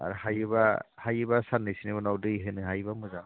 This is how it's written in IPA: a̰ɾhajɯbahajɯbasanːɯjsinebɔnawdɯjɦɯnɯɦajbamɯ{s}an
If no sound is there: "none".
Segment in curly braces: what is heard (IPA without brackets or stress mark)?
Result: z